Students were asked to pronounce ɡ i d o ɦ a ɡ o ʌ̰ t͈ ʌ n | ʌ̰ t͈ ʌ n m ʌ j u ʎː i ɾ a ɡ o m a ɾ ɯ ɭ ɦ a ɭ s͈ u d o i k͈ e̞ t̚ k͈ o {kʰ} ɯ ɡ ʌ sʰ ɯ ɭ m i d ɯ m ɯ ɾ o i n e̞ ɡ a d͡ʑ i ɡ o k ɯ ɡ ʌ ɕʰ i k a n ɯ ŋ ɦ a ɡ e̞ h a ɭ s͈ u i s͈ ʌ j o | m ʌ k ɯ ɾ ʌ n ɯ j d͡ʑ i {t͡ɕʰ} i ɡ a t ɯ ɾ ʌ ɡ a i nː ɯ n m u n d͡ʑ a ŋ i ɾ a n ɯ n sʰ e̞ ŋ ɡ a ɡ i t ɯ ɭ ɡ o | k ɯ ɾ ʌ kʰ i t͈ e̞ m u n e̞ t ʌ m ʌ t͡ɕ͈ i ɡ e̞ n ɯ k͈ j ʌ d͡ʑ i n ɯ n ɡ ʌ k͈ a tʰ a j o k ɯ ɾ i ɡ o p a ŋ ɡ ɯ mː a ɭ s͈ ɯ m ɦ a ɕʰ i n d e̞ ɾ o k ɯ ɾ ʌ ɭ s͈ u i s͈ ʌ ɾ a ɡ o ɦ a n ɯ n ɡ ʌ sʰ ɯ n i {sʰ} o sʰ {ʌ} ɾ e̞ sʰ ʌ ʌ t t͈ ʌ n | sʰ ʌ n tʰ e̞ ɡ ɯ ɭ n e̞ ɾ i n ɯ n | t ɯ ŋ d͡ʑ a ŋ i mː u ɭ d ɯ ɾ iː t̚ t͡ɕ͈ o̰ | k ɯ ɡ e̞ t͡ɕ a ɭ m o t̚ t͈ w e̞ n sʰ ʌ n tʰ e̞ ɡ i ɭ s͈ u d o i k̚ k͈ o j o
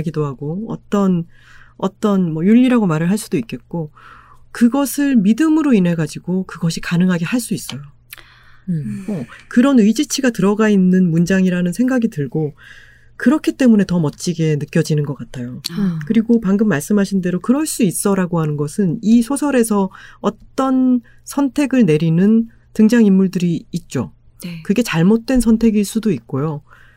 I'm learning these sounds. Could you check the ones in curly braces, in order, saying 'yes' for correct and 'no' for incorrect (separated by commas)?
no, yes, yes, yes